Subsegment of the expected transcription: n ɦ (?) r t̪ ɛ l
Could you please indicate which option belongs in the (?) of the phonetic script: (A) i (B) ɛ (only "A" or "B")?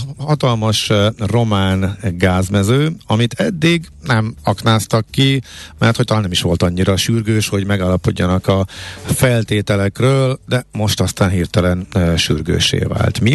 A